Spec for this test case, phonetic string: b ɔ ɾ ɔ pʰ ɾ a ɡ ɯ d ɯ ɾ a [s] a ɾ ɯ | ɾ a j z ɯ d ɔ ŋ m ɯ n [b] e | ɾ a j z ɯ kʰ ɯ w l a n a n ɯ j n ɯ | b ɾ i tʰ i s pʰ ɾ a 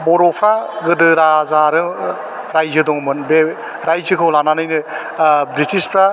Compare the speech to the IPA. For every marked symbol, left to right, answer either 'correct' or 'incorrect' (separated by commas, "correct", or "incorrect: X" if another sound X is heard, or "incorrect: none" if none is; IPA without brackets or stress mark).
incorrect: z, correct